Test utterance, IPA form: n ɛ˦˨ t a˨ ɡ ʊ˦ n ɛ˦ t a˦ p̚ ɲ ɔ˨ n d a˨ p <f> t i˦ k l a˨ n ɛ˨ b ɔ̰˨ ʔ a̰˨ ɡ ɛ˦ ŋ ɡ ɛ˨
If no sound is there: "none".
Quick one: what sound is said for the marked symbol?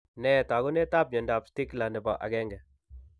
s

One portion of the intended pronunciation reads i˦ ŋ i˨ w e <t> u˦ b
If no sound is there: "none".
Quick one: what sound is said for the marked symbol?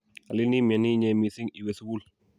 s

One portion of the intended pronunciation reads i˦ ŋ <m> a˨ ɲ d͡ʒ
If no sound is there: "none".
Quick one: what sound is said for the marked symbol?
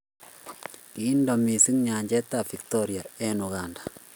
ɲ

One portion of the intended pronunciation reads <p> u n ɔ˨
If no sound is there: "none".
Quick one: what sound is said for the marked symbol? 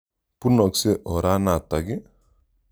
p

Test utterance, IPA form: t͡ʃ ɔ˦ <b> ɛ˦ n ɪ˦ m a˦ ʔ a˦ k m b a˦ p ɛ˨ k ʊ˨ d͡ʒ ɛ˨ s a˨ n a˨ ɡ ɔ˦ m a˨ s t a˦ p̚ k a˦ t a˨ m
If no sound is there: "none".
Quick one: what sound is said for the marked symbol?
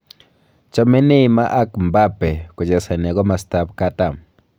m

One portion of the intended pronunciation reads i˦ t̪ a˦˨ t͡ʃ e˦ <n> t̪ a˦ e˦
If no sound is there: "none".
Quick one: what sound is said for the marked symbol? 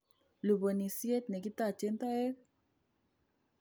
n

